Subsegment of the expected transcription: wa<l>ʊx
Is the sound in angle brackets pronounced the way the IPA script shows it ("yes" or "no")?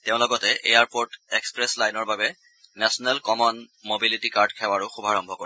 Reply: no